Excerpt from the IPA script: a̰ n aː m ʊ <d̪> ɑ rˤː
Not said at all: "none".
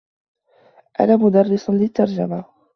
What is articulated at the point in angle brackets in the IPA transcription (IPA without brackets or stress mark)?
d̪